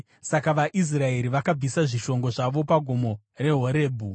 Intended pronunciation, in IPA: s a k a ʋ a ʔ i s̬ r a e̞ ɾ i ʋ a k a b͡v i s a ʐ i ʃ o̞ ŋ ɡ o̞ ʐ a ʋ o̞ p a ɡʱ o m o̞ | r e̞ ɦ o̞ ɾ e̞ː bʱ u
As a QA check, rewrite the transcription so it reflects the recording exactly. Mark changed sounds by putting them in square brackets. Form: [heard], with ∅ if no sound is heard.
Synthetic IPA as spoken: s a k a ʋ a ʔ i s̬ r a e̞ ɾ i ʋ a k a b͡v i s a ʐ i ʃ o̞ ŋ ɡ o̞ ʐ a ʋ o̞ p a ɡʱ o m o̞ | r e̞ ɦ o̞ ɾ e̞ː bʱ u